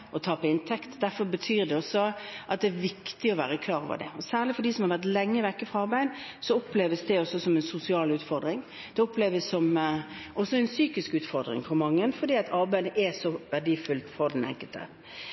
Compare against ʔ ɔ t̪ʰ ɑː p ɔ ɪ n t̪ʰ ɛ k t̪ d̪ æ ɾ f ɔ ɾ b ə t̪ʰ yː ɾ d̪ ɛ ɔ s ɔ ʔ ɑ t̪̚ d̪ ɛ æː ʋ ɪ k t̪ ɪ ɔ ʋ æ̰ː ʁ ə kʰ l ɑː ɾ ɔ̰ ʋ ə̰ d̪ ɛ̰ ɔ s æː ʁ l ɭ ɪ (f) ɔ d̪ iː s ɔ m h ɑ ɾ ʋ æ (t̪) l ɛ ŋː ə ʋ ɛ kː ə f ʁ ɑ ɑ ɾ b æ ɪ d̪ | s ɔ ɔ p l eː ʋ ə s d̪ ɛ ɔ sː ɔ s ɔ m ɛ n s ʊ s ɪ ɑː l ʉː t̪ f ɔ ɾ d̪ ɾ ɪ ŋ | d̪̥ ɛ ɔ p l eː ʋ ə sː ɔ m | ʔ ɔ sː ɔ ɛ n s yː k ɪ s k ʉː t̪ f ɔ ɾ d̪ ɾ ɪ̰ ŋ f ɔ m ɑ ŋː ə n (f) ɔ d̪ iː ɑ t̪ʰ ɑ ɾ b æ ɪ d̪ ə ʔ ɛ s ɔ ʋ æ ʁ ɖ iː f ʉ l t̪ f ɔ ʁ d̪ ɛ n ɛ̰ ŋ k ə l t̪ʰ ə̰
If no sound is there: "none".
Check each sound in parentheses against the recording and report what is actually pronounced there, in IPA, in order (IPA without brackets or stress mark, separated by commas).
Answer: f, t̪, f